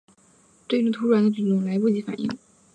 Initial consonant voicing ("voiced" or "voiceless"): voiceless